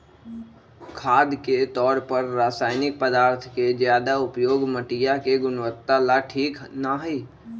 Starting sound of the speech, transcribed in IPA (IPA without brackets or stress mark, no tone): kʰ